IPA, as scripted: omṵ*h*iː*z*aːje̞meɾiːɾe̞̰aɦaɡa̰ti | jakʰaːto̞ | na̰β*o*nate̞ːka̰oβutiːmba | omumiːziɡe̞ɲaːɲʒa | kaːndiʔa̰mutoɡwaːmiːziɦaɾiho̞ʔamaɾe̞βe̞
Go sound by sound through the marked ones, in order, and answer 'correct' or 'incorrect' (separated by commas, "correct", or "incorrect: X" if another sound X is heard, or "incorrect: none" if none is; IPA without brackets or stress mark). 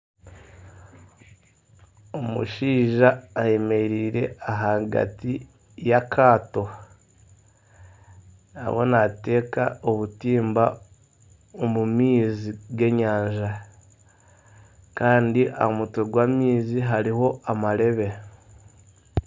incorrect: ʃ, incorrect: ʒ, correct